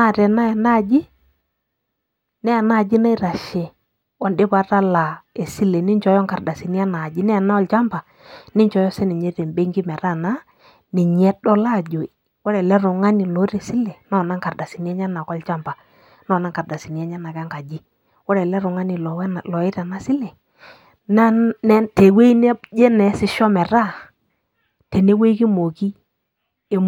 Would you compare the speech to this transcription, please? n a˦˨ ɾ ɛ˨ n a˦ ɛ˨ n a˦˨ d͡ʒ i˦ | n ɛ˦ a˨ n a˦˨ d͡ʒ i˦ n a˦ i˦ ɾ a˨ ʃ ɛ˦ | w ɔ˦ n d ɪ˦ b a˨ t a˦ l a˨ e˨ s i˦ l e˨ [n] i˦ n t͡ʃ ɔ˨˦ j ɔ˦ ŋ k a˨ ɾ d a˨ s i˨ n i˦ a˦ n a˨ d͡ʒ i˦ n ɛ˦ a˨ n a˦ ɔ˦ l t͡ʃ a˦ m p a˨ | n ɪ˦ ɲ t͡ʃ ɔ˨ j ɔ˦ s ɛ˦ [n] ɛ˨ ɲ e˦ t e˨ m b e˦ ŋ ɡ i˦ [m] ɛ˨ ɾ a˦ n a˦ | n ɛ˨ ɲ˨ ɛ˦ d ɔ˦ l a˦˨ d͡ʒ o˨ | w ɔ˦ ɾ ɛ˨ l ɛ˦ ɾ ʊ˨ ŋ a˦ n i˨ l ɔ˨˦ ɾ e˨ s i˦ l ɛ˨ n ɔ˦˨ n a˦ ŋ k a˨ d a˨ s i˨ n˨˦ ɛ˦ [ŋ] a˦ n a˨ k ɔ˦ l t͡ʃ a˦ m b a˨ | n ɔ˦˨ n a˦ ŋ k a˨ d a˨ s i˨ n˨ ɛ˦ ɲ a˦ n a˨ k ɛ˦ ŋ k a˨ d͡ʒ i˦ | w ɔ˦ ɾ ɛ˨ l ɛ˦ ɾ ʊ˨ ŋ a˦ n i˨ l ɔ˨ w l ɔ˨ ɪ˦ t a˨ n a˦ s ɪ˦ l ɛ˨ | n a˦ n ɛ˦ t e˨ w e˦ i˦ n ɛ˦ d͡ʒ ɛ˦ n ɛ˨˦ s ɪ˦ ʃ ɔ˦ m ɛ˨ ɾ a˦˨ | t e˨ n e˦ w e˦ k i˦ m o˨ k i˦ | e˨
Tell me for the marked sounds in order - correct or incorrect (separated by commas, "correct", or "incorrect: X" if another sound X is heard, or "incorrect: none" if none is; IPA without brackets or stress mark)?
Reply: correct, correct, correct, incorrect: ɲ